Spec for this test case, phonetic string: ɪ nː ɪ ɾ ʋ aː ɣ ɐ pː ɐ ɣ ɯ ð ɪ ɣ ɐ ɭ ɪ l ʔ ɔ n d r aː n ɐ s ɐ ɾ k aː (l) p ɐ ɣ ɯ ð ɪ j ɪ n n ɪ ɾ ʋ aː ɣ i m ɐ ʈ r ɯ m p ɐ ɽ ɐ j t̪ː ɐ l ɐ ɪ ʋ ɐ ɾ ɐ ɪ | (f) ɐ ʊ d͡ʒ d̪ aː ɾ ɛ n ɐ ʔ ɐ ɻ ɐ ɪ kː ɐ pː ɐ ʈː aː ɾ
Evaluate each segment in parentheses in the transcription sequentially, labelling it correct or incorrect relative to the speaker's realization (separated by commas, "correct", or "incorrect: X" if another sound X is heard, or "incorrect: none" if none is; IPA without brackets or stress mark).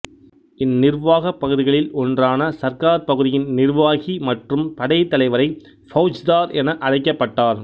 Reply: incorrect: ɾ, correct